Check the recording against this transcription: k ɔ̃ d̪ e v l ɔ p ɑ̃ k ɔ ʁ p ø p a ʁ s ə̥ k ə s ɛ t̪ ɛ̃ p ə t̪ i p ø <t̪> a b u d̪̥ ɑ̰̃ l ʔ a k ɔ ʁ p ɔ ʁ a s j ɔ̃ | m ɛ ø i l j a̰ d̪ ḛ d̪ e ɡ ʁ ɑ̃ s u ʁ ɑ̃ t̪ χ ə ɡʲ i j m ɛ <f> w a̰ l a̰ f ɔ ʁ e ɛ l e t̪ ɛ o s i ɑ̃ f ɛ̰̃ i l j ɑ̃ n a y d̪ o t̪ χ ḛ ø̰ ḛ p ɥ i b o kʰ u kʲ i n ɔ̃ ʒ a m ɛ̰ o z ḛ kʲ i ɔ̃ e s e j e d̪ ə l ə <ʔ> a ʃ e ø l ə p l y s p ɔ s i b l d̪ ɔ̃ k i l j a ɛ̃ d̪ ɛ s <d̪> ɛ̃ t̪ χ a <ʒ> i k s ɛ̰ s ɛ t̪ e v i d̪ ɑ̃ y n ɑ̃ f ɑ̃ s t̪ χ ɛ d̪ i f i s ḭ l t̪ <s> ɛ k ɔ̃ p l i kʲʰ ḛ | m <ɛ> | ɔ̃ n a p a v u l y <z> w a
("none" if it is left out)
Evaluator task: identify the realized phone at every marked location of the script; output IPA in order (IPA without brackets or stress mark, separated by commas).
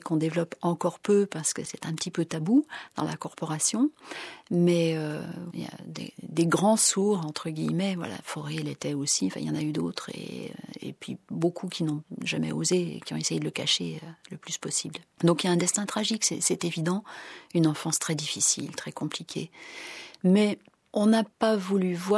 t̪, v, k, t̪, ʒ, χ, ɛ, v